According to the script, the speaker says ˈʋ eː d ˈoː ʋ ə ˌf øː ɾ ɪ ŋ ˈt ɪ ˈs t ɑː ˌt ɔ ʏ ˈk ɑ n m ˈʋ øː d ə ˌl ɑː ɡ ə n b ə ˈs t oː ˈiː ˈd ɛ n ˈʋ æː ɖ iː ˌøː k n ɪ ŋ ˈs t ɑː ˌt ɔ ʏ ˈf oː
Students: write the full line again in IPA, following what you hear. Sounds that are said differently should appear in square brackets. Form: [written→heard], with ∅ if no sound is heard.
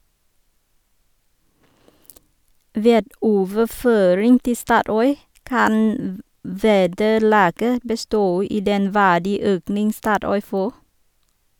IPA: ˈʋ eː d ˈoː ʋ ə ˌf øː ɾ ɪ ŋ ˈt ɪ ˈs t ɑː ˌt ɔ ʏ ˈk ɑ n m ˈʋ [øː→eː] d ə ˌl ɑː ɡ ə [n→∅] b ə ˈs t oː ˈiː ˈd ɛ n ˈʋ æː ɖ iː ˌøː k n ɪ ŋ ˈs t ɑː ˌt ɔ ʏ ˈf oː